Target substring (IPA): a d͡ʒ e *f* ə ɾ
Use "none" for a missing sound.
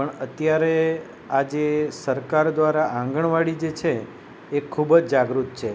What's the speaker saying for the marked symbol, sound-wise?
s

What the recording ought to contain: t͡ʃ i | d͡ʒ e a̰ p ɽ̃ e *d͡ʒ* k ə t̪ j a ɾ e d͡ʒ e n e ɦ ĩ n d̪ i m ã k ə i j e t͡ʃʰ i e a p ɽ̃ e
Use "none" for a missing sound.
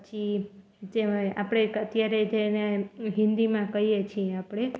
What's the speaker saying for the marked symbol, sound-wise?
none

